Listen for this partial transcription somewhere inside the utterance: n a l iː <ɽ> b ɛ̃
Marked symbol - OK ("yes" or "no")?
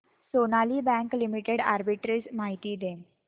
no